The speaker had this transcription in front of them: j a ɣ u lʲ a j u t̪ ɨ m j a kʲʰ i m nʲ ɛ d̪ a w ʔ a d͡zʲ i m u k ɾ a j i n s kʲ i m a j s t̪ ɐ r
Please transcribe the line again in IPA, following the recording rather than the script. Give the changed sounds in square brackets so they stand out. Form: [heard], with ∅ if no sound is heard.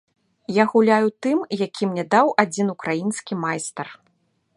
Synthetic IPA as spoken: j a ɣ u lʲ a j u t̪ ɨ m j a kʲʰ i m nʲ ɛ d̪ a w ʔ a d͡zʲ i [n] u k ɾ a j i n s kʲ i m a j s t̪ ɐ r